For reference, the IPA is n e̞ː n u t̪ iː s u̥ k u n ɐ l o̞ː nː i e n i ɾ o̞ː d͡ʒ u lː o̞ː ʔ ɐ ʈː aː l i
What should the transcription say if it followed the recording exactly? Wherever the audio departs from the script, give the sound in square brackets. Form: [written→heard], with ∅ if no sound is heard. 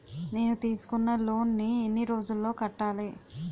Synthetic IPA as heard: n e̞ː n u t̪ iː s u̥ k u [n→nː] ɐ l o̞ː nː i e [n→nː] i ɾ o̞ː d͡ʒ u lː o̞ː [ʔ→k] ɐ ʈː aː l i